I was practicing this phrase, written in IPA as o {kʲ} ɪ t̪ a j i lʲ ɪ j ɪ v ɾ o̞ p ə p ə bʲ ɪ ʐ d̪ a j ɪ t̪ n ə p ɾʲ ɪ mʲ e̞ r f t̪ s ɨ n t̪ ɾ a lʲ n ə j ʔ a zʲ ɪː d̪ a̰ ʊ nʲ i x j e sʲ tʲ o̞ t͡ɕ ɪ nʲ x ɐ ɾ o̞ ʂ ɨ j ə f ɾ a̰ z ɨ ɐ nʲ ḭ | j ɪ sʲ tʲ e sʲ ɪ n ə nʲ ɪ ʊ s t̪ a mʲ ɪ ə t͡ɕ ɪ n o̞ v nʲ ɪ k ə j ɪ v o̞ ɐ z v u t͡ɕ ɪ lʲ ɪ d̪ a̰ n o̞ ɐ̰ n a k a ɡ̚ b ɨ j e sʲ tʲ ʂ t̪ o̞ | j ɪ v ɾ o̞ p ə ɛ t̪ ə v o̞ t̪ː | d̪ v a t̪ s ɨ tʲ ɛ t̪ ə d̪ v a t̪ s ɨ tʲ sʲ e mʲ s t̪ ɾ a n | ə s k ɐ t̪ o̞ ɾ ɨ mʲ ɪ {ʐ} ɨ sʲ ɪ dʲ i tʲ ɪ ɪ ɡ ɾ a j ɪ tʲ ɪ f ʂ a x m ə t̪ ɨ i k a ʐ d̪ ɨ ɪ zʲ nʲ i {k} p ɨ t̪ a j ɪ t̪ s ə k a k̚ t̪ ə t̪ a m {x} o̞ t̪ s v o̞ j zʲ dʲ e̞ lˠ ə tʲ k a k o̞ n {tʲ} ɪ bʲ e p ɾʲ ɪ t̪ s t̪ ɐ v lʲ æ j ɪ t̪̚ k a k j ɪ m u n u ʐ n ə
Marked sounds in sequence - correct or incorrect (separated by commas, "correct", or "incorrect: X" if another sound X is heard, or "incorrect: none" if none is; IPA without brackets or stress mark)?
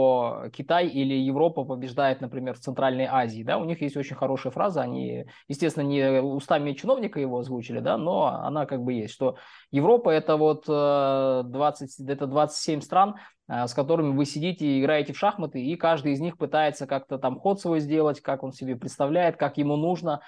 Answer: correct, incorrect: v, incorrect: x, correct, incorrect: sʲ